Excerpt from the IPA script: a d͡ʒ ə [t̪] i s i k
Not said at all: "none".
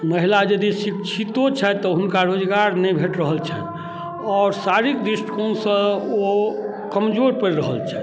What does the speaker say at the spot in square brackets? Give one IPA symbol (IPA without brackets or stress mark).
d̪